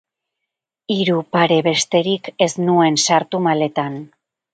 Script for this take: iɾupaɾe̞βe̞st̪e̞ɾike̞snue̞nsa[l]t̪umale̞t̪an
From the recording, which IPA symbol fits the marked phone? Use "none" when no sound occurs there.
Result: ɾ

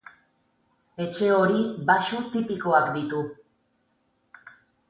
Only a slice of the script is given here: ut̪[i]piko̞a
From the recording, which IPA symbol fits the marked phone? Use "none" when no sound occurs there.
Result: i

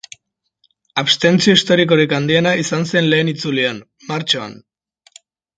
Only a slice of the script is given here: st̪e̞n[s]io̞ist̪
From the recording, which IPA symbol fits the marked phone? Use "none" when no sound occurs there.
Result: t͡s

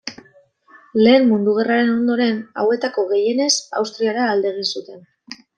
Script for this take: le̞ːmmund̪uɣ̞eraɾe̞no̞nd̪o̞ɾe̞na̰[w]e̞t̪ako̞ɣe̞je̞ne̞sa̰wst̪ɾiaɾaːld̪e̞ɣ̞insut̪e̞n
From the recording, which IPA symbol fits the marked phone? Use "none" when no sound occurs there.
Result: w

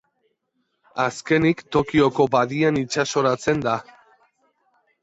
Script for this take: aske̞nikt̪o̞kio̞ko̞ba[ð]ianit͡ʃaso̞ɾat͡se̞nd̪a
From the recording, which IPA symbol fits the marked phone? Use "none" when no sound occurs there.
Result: ð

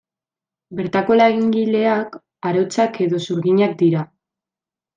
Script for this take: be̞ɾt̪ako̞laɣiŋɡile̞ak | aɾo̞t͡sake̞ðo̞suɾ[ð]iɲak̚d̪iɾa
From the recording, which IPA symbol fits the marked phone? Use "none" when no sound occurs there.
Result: ɣ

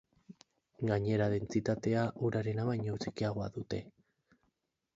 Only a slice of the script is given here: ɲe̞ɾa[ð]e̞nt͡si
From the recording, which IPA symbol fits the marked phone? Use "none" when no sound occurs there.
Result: ð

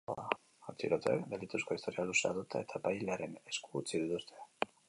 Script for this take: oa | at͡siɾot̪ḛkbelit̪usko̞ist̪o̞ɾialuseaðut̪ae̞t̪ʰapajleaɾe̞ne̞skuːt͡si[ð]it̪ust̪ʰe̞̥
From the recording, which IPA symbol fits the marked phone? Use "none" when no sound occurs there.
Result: ð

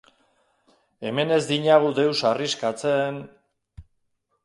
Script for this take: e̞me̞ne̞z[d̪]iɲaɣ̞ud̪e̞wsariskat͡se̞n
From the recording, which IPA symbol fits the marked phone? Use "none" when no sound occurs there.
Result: d̪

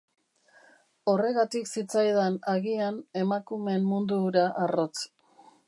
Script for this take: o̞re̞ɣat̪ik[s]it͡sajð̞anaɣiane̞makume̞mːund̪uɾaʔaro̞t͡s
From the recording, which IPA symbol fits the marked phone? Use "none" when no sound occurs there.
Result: s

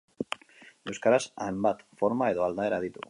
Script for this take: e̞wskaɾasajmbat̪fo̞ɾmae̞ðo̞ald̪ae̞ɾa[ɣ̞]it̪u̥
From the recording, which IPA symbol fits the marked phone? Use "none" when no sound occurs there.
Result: ð̞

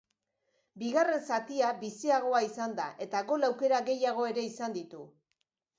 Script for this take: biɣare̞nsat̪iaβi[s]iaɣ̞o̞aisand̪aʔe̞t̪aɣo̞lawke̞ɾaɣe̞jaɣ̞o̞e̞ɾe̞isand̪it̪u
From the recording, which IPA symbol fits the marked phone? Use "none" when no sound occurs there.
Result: s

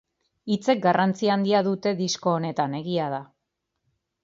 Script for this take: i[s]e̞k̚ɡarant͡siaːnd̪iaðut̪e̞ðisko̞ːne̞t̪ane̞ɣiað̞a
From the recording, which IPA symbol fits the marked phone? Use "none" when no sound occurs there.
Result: t͡s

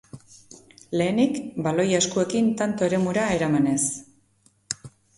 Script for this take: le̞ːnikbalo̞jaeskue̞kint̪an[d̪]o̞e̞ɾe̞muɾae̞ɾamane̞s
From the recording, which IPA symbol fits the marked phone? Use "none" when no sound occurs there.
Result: t̪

